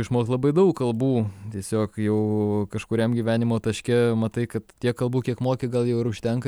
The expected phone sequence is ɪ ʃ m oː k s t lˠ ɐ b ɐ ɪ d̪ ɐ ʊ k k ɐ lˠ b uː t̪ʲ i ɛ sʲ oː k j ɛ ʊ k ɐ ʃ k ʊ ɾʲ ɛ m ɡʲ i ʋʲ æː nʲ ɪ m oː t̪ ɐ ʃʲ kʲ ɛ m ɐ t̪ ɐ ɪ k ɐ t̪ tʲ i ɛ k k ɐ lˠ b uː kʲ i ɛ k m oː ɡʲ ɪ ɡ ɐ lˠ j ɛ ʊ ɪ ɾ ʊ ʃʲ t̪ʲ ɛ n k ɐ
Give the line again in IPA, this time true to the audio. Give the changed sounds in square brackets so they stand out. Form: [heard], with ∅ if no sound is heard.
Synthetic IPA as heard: ɪ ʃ m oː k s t lˠ ɐ b ɐ ɪ d̪ ɐ ʊ k k ɐ lˠ b uː t̪ʲ i ɛ sʲ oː k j ɛ ʊ k ɐ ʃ k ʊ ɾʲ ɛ m ɡʲ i ʋʲ æː nʲ ɪ m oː t̪ ɐ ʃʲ kʲ ɛ m ɐ t̪ ɐ ɪ k ɐ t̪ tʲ i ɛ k k ɐ lˠ b uː kʲ i ɛ k m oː [kʲ] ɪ ɡ ɐ lˠ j ɛ ʊ ɪ ɾ ʊ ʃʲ t̪ʲ ɛ [ŋ] k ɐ